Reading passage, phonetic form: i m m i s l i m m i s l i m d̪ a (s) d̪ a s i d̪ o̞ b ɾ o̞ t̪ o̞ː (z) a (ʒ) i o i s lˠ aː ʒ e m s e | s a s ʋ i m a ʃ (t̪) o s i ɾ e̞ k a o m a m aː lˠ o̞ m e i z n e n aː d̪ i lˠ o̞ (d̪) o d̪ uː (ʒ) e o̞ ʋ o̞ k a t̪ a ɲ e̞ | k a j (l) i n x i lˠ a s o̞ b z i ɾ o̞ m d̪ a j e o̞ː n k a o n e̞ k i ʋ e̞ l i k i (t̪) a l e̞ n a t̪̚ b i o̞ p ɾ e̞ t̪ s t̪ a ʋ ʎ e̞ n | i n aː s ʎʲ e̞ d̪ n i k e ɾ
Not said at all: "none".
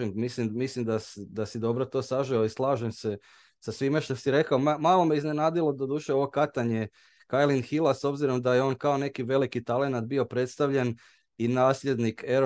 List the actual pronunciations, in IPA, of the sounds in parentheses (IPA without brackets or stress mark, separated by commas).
s, s, ʒ, t̪, d̪, ʃ, l, t̪